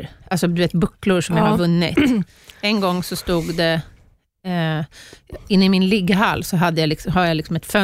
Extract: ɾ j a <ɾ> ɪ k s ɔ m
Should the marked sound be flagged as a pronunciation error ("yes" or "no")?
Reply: yes